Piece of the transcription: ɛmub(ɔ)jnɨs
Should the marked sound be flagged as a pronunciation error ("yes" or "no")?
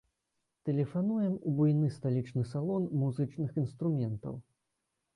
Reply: yes